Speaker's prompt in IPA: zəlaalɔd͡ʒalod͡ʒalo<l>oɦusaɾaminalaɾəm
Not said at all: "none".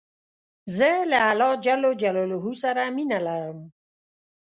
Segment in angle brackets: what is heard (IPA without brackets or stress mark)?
l